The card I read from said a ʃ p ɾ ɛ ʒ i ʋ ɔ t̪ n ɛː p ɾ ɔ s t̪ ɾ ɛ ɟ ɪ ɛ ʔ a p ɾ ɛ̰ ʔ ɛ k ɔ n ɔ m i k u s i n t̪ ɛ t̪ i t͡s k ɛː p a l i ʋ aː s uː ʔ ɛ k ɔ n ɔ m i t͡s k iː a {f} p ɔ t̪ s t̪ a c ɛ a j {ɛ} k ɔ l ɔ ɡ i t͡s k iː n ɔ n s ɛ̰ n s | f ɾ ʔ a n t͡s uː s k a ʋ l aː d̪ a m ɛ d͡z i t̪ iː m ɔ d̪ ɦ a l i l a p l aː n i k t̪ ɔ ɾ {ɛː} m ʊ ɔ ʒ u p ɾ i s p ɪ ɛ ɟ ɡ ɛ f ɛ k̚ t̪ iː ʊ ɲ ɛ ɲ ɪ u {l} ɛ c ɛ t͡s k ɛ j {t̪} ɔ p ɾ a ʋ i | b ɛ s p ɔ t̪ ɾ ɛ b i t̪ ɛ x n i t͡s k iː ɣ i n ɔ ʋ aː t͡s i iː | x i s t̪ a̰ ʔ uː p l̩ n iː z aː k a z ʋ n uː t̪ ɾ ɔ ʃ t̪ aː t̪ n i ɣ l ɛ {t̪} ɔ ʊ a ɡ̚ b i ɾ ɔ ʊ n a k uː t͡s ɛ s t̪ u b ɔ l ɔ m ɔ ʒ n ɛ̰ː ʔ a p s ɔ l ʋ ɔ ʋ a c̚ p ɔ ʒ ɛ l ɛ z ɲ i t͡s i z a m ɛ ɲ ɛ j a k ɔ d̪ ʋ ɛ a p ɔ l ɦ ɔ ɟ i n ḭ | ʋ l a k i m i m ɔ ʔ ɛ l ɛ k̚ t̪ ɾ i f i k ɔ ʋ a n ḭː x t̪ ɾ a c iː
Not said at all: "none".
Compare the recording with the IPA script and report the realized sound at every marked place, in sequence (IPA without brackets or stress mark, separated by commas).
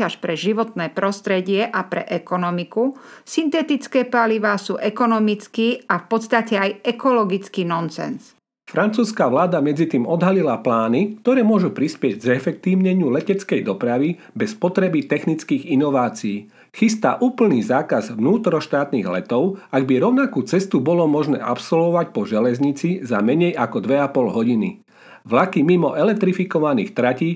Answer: f, ɛ, ɛː, l, d̪, t̪